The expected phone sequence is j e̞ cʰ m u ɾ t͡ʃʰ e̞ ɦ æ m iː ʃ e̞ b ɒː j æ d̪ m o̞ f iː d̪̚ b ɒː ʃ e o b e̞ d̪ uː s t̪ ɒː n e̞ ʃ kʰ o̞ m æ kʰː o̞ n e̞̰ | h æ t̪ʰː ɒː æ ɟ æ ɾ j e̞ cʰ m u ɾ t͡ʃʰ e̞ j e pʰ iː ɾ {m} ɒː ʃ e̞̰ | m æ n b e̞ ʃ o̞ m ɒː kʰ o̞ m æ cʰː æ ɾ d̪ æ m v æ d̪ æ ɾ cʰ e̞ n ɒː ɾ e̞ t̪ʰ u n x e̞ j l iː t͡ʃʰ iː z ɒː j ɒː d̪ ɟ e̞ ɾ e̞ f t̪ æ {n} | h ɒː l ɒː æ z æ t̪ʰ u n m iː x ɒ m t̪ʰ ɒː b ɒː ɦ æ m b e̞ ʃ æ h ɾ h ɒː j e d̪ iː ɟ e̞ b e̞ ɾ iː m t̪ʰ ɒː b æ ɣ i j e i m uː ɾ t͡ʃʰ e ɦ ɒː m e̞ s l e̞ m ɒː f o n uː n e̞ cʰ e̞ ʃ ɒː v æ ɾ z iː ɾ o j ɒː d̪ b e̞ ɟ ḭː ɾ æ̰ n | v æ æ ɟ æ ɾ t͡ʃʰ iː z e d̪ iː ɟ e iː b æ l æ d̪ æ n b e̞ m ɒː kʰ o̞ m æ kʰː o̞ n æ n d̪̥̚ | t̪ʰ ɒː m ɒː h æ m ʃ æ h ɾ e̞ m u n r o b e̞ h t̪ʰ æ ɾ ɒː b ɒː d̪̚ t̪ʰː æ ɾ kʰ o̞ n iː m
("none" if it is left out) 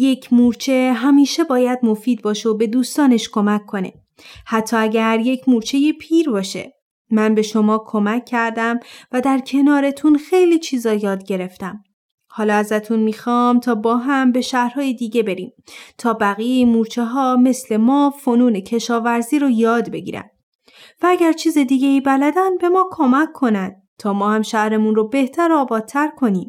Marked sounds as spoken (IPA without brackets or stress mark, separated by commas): b, m